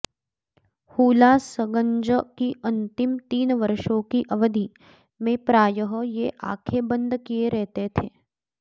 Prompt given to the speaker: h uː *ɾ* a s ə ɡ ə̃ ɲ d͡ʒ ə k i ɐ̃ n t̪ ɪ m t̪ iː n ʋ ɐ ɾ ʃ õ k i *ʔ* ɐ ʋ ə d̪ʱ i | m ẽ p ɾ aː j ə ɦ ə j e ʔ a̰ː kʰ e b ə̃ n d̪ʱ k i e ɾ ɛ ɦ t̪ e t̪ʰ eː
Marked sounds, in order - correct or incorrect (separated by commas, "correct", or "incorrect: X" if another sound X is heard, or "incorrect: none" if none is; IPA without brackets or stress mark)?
incorrect: l, correct